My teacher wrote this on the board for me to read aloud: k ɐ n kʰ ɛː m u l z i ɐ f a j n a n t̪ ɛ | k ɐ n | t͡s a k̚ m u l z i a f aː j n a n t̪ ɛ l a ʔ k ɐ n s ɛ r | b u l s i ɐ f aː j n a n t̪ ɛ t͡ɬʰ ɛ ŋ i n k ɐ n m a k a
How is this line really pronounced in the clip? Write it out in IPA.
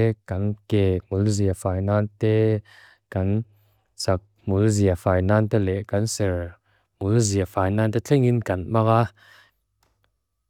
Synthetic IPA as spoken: k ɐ n k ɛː m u l z i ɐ f a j n a n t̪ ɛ | k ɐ n | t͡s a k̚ m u l z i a f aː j n a n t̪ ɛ l ɛ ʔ k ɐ n s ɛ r | m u l z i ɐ f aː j n a n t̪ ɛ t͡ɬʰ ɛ ŋ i n k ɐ n m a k a

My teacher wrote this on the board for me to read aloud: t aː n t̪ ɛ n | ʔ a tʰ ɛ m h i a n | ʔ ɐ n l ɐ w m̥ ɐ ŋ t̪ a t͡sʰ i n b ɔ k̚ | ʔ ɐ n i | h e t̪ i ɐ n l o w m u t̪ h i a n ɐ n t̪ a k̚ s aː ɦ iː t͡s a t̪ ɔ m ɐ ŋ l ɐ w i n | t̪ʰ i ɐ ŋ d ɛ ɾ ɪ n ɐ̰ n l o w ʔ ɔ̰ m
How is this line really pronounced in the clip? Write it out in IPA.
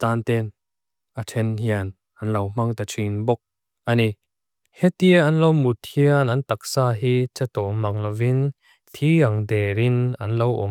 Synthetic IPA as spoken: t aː n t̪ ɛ n | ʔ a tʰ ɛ n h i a n | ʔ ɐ n l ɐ w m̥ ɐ ŋ t̪ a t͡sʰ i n b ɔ k̚ | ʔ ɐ n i | h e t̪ i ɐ n l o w m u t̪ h i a n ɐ n t̪ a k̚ s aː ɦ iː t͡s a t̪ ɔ m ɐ ŋ l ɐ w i n | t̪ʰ i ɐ ŋ d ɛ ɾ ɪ n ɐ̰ n l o w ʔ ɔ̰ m

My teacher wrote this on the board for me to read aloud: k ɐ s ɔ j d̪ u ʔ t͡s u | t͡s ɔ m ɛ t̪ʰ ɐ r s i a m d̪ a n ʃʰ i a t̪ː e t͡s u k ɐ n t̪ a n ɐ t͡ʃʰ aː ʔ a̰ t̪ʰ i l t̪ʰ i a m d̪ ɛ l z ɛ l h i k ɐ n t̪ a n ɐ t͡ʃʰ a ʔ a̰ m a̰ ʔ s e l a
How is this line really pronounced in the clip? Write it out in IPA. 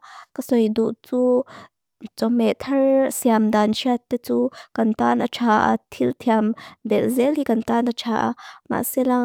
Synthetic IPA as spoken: k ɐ s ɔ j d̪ u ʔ t͡s u | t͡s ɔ m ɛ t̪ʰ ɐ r s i a m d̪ a n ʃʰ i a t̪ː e t͡s u k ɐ n t̪ a n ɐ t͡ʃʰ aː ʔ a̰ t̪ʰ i l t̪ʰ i a m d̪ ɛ l z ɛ l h i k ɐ n t̪ a n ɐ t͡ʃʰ a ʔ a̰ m a̰ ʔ s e l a

